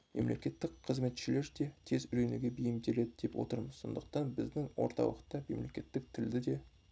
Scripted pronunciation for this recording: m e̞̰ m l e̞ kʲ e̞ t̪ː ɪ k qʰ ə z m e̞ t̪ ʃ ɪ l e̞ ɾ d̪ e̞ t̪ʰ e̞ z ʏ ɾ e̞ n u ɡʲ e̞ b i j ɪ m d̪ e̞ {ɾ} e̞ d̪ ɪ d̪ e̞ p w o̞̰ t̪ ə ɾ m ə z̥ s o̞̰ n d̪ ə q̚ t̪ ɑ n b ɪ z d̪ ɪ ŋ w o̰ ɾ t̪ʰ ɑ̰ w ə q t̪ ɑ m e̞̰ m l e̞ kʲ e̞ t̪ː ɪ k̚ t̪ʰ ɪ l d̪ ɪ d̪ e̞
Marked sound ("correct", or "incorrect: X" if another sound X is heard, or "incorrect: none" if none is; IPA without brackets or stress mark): incorrect: l